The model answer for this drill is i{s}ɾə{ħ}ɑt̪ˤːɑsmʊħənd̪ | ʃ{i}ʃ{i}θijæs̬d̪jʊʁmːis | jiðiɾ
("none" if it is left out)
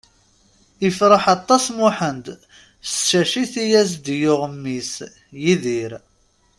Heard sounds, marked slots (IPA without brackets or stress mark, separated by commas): f, ħ, æ, i